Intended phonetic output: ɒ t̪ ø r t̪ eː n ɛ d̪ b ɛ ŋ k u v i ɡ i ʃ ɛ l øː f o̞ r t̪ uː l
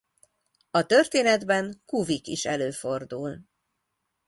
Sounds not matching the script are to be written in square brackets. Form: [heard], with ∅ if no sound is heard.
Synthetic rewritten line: ɒ t̪ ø r t̪ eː n ɛ d̪ b ɛ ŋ k u v i [k] i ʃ ɛ l øː f o̞ r [d̪] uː l